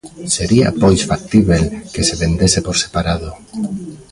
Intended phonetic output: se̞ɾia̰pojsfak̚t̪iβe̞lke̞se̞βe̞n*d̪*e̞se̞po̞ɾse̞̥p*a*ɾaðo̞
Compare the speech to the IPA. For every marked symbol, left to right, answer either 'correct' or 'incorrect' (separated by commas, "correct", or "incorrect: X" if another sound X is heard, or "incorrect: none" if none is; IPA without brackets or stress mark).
correct, correct